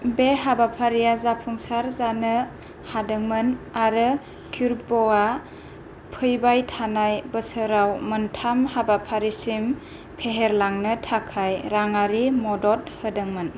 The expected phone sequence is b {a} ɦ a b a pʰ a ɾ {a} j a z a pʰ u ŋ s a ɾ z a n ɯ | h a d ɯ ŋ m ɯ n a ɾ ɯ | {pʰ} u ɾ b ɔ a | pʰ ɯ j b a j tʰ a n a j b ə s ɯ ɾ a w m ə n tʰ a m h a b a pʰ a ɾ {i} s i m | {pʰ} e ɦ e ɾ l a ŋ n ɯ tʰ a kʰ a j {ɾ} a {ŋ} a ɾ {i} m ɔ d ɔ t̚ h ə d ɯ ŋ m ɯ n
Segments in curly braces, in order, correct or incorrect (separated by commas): incorrect, incorrect, incorrect, correct, correct, correct, correct, correct